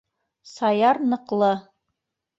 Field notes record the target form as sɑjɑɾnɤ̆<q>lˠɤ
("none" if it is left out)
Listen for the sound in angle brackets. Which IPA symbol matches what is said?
q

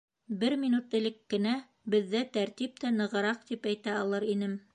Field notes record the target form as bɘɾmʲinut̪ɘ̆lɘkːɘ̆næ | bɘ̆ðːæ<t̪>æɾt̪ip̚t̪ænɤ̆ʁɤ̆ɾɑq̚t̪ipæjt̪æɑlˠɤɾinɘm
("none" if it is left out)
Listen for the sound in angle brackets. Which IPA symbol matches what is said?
t̪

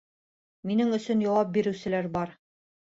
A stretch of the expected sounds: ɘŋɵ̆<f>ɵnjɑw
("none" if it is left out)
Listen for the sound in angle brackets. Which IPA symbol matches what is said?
s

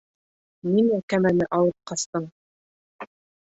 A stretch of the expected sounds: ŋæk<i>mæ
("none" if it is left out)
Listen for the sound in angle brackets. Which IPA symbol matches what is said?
æ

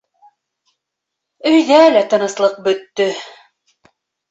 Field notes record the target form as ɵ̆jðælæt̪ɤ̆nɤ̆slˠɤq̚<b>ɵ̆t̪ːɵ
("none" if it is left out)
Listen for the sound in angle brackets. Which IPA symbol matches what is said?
b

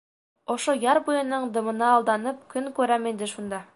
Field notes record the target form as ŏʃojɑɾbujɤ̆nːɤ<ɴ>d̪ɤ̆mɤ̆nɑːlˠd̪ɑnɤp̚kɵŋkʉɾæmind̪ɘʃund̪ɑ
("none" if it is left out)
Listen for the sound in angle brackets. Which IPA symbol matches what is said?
ɴ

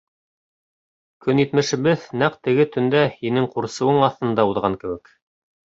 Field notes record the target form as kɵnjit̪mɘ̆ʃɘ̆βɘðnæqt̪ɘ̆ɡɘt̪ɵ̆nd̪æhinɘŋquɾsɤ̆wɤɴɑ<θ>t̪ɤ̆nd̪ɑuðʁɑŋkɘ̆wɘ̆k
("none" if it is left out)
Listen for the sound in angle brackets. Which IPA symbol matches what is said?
θ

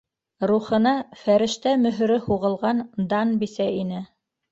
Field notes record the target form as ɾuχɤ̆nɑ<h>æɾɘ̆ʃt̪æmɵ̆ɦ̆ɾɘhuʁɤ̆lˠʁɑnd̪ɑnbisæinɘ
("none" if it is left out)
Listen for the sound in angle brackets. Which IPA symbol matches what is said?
f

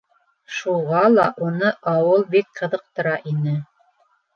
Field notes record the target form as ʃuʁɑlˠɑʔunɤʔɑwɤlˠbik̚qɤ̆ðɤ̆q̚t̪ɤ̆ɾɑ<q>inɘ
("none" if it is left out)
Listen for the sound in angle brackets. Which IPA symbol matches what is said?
ʔ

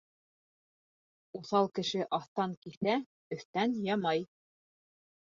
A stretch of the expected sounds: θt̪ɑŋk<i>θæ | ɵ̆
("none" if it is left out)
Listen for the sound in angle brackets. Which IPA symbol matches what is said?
i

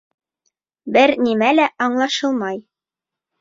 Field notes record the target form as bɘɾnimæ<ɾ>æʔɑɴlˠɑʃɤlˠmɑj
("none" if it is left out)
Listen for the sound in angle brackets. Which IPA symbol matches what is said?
l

